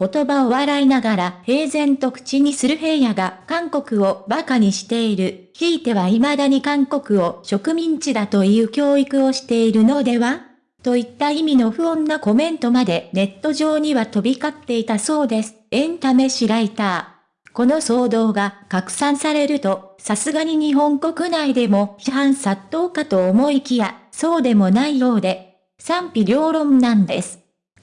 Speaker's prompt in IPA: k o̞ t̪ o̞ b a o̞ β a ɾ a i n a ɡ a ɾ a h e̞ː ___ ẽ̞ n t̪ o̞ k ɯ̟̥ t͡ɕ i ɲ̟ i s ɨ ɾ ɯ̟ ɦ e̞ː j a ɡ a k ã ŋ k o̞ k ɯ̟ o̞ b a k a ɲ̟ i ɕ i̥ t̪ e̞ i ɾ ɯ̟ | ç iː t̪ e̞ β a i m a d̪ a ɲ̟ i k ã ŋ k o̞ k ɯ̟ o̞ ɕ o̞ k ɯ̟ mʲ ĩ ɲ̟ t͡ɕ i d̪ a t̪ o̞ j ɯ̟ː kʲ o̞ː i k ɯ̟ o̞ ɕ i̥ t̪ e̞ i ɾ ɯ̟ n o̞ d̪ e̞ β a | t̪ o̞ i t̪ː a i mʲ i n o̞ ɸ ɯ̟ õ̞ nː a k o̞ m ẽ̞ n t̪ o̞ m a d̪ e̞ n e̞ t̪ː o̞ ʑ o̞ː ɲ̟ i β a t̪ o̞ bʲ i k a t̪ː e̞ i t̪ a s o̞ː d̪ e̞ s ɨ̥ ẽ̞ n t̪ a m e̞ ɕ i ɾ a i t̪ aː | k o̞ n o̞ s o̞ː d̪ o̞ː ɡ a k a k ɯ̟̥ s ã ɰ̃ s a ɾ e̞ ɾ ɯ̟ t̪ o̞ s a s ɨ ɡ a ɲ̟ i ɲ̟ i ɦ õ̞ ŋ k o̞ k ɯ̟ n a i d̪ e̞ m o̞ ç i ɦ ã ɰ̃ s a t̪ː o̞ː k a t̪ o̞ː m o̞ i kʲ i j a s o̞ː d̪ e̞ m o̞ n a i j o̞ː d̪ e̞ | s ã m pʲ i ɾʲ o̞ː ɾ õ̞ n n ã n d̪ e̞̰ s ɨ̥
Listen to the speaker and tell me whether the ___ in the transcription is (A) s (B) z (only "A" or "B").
B